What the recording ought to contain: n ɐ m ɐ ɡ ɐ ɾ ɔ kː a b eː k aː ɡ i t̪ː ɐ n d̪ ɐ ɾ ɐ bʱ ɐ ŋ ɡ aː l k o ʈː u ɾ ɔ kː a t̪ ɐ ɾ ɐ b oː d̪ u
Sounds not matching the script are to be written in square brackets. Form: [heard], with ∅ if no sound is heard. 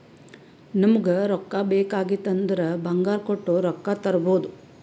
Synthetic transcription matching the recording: n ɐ m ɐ ɡ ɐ ɾ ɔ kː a b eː k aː ɡ i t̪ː ɐ n d̪ ɐ ɾ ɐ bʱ ɐ ŋ ɡ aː [ɾ] k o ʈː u ɾ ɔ kː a t̪ ɐ ɾ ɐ b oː d̪ u